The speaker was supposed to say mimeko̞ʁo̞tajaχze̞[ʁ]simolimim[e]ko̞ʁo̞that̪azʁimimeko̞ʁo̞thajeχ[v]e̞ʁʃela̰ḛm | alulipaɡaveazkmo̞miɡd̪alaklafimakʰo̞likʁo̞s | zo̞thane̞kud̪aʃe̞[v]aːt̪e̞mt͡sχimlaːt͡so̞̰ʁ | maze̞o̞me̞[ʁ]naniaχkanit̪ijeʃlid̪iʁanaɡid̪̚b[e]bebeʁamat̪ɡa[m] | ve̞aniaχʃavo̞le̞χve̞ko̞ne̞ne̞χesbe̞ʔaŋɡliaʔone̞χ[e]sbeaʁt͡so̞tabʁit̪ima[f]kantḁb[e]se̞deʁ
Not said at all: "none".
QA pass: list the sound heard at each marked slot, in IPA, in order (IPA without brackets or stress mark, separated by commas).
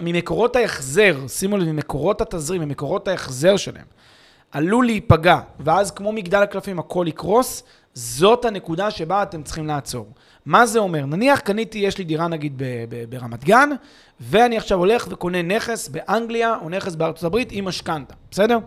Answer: ʁ, e, z, b, ʁ, e, n, e, ʃ, e